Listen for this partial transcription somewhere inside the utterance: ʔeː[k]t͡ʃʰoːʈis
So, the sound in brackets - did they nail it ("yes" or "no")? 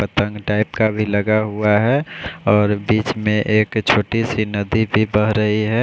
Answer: yes